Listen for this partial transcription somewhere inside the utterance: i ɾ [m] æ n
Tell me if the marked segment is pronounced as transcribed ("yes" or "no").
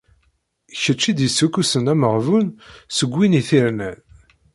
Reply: no